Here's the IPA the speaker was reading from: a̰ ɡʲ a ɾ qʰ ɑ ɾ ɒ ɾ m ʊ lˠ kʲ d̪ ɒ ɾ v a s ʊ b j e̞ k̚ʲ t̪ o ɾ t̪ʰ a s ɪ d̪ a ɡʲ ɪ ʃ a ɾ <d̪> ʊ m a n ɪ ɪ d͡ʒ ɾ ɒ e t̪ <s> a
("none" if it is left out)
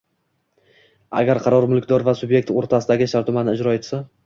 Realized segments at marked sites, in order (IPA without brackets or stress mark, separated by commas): t̪, s